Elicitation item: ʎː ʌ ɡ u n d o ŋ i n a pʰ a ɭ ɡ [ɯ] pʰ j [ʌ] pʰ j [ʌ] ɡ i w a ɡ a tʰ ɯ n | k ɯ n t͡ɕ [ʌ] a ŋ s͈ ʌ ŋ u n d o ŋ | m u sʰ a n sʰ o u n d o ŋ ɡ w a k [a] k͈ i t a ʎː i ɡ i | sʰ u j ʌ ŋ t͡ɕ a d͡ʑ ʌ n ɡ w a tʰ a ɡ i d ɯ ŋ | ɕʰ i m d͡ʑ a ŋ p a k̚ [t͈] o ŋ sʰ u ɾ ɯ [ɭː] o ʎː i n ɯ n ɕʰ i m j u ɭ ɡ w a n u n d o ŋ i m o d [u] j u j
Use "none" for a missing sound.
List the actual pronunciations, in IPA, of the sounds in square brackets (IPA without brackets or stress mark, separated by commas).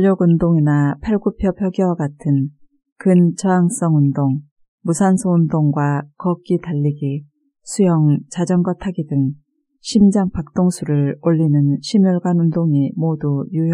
u, ʌ, ʌ, ʌ, ʌ, t͈, ɭ, u